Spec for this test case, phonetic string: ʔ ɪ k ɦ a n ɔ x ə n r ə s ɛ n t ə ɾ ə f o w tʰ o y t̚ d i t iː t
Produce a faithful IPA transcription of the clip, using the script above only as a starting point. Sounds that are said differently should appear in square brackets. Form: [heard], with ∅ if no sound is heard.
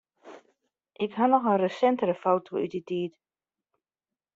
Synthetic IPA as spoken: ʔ ɪ k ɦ a n ɔ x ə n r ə s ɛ n t ə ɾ ə f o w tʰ o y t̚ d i t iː t